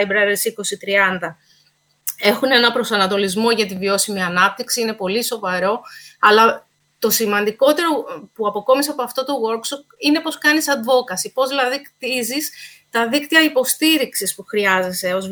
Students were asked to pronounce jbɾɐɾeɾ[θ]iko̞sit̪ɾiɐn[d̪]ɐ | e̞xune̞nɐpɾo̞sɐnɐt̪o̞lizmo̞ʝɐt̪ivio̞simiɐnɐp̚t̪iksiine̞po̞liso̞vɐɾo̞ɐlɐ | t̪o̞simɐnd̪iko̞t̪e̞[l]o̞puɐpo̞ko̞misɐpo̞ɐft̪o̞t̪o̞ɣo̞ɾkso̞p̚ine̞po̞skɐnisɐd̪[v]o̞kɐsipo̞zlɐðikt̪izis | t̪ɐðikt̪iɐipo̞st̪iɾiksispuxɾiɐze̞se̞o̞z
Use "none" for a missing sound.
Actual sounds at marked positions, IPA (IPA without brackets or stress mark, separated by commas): s, d̪, ɾ, v